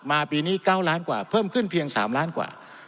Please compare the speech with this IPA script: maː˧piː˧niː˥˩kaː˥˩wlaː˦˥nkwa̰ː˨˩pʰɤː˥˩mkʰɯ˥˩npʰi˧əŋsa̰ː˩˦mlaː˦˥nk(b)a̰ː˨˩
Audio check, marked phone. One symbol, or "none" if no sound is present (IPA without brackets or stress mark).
w